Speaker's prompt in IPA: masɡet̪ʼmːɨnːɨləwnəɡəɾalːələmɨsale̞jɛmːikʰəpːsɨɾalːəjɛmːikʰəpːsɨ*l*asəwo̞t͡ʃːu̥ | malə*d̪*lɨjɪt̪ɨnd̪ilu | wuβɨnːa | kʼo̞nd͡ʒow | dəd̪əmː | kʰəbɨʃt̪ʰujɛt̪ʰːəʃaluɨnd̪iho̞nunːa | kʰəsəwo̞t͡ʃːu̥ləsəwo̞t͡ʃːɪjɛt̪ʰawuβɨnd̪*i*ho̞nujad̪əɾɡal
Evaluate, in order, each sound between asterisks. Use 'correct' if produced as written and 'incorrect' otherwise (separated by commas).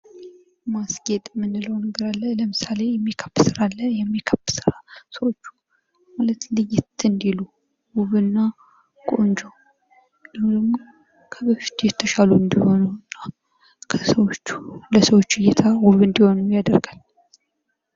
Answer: incorrect, incorrect, correct